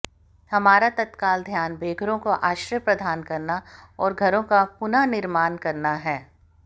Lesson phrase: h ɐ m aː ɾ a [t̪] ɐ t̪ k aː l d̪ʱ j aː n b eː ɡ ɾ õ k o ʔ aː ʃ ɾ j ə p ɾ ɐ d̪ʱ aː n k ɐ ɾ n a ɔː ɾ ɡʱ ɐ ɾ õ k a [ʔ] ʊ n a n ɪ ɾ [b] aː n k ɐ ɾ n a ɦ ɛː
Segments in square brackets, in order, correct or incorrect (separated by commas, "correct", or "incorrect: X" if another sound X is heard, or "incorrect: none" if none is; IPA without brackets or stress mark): correct, incorrect: p, incorrect: m